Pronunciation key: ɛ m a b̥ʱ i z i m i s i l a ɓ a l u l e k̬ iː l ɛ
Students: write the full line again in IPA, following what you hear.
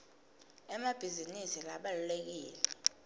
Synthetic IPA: ɛ m a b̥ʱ i z i n i s i l a ɓ a l u l e k̬ iː l ɛ